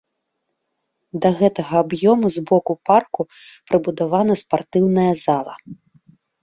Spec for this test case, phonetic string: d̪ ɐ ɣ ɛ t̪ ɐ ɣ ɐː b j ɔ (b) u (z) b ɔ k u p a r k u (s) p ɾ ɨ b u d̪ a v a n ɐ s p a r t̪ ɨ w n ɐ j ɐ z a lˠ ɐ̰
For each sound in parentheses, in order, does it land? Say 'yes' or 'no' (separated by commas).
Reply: no, yes, no